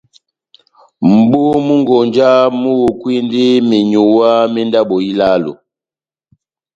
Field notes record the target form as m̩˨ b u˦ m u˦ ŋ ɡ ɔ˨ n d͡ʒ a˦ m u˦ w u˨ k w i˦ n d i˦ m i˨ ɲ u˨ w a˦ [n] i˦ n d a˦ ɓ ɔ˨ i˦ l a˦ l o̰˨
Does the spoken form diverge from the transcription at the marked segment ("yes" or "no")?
yes